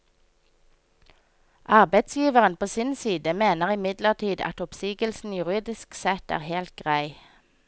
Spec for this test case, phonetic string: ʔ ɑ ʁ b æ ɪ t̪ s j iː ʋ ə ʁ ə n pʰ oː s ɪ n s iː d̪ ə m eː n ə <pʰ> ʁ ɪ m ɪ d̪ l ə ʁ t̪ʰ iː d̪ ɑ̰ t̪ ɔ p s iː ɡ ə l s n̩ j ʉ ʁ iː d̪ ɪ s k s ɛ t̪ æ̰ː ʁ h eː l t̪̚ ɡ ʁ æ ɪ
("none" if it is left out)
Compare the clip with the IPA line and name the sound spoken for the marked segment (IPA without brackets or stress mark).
none